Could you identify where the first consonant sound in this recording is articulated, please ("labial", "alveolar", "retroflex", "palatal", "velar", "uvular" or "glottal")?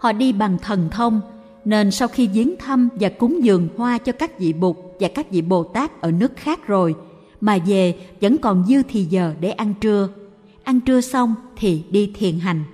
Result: glottal